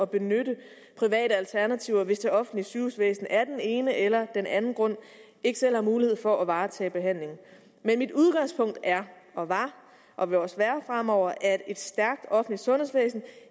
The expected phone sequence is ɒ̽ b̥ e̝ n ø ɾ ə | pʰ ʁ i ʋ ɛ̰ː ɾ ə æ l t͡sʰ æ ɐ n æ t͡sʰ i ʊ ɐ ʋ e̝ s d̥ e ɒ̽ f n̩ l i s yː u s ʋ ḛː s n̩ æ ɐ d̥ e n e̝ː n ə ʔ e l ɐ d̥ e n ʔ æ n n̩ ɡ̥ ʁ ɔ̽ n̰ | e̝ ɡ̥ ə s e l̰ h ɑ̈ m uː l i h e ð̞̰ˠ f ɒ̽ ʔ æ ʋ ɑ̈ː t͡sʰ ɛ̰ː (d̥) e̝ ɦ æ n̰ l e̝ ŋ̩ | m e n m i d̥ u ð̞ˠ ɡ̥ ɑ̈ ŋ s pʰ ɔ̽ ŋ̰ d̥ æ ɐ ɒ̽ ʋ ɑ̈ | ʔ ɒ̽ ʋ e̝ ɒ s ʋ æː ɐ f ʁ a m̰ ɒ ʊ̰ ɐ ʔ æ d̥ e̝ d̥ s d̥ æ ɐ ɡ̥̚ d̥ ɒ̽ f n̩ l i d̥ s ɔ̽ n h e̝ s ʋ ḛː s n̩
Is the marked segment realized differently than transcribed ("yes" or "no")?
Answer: yes